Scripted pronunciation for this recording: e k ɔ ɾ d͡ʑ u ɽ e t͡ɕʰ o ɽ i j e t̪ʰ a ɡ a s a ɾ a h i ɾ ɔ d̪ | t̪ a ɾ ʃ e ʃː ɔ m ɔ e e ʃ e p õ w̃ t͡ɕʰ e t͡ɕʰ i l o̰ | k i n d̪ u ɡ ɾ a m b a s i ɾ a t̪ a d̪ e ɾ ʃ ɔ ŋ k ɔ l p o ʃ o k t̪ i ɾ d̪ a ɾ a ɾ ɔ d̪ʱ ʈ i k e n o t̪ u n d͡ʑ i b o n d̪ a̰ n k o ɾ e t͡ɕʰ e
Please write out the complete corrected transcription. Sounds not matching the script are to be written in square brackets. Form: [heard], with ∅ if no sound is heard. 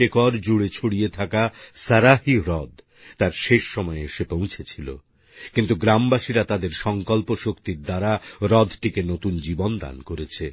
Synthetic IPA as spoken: e k ɔ ɾ d͡ʑ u ɽ e t͡ɕʰ o ɽ i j e t̪ʰ a [k] a s a ɾ a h i ɾ ɔ d̪ | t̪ a ɾ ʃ e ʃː ɔ m ɔ e e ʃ e p õ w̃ t͡ɕʰ e t͡ɕʰ i l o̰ | k i n [t̪] u ɡ ɾ a m b a [ʃ] i ɾ a t̪ a d̪ e ɾ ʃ ɔ ŋ k ɔ l p o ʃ o k t̪ i ɾ d̪ a ɾ a ɾ ɔ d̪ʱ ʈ i k e n o t̪ u n d͡ʑ i b o n d̪ a̰ n k o ɾ e t͡ɕʰ e

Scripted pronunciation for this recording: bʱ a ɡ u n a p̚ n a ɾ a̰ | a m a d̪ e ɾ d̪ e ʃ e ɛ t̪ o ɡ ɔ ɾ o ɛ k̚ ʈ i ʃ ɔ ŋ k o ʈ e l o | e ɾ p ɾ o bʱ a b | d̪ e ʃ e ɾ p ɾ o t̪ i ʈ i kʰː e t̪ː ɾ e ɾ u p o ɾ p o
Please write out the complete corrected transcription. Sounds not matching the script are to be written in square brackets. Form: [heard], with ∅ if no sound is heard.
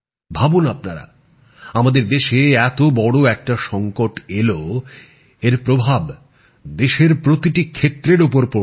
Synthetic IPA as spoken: bʱ a [b] u n a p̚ n a ɾ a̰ | a m a d̪ e ɾ d̪ e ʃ e ɛ t̪ o [b] ɔ [ɽ] o ɛ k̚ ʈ [a] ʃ ɔ ŋ k o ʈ e l o | e ɾ p ɾ o bʱ a b | d̪ e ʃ e ɾ p ɾ o t̪ i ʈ i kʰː e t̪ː ɾ e ɾ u p o ɾ p o

